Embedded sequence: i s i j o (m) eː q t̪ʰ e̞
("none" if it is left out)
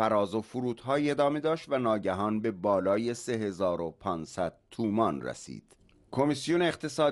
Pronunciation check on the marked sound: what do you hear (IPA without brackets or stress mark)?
n